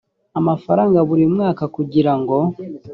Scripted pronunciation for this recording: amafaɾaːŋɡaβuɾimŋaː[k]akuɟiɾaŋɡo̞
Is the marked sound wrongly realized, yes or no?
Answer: no